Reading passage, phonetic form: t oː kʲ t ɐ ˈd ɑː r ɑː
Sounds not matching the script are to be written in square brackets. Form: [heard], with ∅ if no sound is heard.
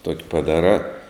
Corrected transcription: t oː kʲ [p] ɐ ˈd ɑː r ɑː

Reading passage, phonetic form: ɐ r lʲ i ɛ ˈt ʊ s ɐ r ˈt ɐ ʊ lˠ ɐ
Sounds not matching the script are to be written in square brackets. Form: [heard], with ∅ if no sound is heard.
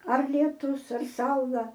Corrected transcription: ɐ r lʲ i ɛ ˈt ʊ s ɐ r [ˈs] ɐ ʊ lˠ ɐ

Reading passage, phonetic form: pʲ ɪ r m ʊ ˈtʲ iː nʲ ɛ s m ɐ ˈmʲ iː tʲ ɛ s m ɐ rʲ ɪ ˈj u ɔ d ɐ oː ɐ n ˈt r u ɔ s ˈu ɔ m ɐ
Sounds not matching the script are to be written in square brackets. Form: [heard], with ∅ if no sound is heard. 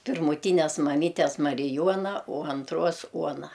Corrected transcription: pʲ ɪ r m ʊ ˈtʲ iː nʲ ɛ s m ɐ ˈmʲ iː tʲ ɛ s m ɐ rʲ ɪ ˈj u ɔ [n] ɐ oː ɐ n ˈt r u ɔ s ˈu ɔ [n] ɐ

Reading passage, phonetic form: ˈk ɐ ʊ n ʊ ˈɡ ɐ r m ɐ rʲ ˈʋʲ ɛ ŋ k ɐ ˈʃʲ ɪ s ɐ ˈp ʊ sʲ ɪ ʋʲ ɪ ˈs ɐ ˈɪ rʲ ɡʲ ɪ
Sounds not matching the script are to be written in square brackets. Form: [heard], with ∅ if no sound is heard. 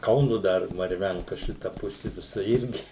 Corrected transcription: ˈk ɐ ʊ n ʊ [ˈd] ɐ r m ɐ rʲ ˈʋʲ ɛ ŋ k ɐ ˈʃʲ ɪ [t] ɐ ˈp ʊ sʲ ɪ ʋʲ ɪ ˈs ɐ ˈɪ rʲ ɡʲ ɪ

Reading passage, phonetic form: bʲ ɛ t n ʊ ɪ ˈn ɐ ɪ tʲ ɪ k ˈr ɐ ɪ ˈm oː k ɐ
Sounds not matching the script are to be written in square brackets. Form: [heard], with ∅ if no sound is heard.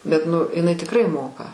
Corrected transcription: bʲ ɛ t n ʊ ɪ ˈn ɐ ɪ tʲ ɪ k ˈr ɐ ɪ ˈm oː k ɐ

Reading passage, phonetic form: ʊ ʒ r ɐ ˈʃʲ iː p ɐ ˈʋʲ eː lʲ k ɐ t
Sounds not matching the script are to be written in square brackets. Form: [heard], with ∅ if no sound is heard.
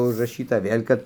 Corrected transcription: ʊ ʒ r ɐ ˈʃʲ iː [t] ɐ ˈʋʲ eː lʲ k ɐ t

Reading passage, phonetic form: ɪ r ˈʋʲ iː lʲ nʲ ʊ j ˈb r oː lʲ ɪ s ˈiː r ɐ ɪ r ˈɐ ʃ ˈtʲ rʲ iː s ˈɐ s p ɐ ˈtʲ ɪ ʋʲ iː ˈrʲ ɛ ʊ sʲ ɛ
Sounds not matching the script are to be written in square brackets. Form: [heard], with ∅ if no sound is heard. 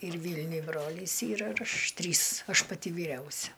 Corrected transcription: ɪ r ˈʋʲ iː lʲ nʲ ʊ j ˈb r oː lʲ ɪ s ˈiː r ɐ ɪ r ˈɐ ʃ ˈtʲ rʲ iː s ˈɐ [ʃ] p ɐ ˈtʲ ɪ ʋʲ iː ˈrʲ ɛ ʊ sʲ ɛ

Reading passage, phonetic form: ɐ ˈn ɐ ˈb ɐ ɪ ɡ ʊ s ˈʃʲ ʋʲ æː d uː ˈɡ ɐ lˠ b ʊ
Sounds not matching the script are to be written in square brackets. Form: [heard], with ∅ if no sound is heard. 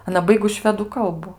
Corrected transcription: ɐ ˈn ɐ ˈb ɐ ɪ ɡ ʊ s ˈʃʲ ʋʲ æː d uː [ˈk] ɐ lˠ b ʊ

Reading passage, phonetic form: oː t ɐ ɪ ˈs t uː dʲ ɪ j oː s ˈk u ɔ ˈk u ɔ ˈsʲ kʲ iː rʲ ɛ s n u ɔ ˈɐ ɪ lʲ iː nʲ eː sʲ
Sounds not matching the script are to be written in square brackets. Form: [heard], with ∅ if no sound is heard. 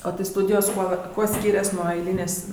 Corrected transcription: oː t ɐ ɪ ˈs t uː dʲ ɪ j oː s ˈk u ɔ ˈk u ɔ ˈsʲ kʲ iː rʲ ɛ s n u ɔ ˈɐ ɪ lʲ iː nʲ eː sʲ

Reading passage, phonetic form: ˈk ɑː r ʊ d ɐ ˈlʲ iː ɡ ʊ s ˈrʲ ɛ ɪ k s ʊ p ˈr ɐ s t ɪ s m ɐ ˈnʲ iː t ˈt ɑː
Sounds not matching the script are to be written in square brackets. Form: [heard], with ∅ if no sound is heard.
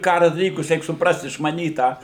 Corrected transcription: ˈk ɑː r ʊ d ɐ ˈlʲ iː [k] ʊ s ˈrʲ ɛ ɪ k s ʊ p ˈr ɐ s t ɪ [ʃ] m ɐ ˈnʲ iː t ˈt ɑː

